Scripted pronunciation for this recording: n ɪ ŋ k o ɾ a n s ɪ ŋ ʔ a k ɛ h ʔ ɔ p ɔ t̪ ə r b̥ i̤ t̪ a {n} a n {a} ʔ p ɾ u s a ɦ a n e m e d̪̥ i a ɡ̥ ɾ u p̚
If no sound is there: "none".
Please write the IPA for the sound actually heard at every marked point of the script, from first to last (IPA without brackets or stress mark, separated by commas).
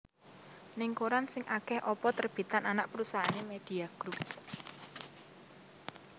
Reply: n, a